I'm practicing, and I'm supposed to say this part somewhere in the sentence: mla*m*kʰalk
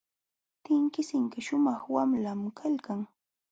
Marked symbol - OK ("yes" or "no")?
yes